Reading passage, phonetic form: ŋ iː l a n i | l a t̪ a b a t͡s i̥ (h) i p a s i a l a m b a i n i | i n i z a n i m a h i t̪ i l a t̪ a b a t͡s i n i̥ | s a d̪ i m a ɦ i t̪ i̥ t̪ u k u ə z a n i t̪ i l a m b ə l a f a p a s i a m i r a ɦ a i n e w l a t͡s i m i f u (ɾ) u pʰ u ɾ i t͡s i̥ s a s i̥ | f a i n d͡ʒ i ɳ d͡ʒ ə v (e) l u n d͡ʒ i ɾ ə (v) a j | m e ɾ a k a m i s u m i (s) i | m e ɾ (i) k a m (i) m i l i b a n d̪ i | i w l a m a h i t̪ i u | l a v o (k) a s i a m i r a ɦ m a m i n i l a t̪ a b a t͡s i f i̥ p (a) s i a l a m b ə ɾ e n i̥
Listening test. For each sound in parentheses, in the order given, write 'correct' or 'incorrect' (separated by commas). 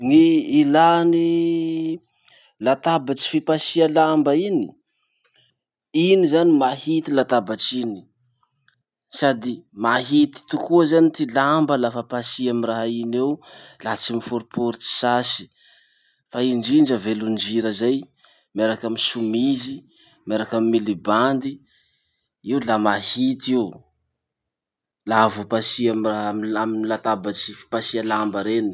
incorrect, correct, correct, incorrect, incorrect, incorrect, correct, incorrect, correct